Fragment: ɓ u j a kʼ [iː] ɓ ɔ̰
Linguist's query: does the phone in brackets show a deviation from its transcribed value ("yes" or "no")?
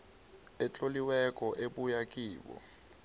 no